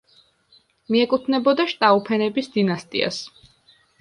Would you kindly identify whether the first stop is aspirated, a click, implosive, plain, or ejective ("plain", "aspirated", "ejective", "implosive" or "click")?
ejective